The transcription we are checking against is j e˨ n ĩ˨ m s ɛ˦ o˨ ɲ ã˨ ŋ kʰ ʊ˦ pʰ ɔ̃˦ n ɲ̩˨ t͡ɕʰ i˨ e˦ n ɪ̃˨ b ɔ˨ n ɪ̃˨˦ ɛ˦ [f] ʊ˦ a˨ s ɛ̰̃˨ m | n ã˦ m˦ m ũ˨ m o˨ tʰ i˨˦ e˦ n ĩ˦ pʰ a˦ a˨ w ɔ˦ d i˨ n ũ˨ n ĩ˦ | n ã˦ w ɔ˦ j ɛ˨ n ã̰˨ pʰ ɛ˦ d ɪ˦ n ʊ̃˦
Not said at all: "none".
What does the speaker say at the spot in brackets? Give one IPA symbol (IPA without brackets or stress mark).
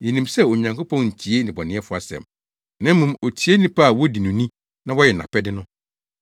f